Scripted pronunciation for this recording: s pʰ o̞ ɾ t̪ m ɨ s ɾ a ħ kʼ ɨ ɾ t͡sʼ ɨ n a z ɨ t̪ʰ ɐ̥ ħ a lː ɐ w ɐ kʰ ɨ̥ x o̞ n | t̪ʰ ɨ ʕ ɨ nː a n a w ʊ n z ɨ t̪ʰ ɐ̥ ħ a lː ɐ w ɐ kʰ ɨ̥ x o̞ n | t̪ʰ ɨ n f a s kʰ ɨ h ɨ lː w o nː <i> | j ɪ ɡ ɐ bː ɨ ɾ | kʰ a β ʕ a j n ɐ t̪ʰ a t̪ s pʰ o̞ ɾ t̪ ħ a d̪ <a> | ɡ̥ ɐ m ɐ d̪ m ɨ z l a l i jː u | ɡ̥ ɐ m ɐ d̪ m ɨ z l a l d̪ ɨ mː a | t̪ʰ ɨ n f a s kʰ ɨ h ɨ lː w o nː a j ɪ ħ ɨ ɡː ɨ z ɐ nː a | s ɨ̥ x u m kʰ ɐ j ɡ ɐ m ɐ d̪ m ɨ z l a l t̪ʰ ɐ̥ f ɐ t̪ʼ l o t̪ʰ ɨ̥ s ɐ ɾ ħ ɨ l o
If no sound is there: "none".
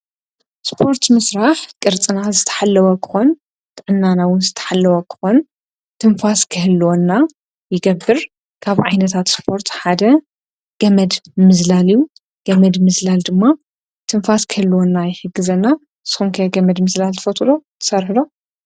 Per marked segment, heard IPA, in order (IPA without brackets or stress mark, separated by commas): a, ɐ